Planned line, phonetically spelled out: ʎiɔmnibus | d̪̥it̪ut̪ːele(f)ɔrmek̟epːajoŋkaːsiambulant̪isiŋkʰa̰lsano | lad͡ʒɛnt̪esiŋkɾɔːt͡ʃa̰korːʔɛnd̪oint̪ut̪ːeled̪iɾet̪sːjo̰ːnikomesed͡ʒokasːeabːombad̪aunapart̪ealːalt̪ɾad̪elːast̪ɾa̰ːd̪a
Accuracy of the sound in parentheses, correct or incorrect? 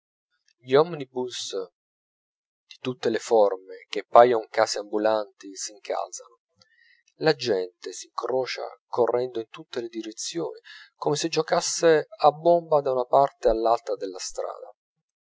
correct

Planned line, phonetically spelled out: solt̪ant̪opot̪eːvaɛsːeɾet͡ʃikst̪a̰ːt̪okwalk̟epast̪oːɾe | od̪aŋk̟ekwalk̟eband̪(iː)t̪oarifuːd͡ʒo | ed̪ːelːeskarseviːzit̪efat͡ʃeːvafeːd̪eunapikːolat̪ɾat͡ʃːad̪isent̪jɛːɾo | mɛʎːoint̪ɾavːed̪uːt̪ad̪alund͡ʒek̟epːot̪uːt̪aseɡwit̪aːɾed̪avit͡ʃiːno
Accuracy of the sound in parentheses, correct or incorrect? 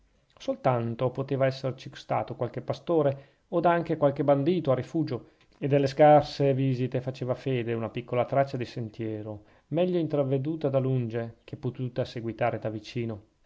correct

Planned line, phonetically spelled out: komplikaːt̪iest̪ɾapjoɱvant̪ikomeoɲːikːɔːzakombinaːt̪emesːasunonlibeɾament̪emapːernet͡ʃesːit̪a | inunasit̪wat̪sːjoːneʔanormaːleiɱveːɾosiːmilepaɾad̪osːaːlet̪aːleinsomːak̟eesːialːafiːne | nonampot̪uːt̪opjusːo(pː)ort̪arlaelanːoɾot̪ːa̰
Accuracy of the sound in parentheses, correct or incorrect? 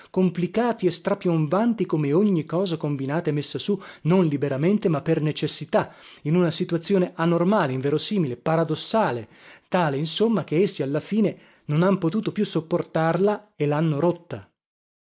correct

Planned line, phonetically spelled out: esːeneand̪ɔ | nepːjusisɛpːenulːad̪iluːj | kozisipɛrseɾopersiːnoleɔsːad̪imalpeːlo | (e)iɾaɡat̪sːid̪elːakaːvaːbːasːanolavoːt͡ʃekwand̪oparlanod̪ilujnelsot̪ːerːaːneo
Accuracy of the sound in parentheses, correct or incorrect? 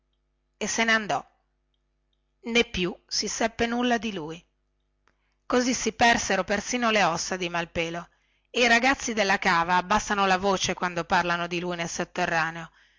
correct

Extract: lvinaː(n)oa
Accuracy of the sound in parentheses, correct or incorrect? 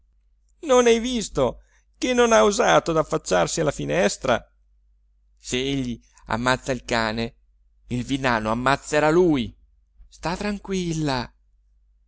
correct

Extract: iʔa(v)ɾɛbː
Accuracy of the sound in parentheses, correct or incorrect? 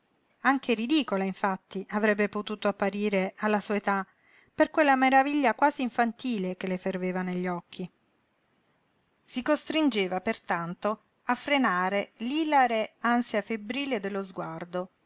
correct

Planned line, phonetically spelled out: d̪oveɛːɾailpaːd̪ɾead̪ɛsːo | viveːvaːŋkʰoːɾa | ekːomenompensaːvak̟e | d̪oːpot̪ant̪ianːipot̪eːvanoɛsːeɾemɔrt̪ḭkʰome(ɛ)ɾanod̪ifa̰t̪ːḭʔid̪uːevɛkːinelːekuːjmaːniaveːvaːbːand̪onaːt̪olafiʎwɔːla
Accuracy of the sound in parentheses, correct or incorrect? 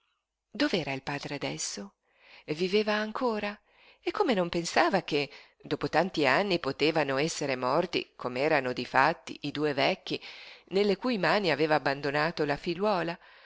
incorrect: ɛː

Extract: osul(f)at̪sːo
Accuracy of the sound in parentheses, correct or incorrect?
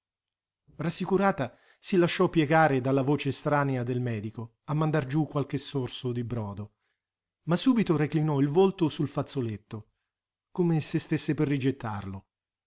correct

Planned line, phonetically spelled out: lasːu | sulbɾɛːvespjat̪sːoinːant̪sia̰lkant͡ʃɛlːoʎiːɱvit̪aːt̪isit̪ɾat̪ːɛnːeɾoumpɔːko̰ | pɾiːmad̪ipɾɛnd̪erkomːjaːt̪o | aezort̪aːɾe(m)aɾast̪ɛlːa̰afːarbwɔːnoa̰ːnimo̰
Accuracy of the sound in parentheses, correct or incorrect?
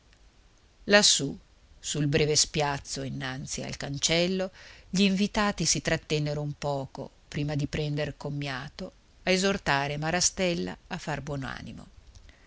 correct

